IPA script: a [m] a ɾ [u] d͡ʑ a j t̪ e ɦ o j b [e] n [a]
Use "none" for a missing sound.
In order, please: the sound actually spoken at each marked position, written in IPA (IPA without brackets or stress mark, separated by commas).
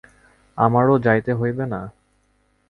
m, o, e, a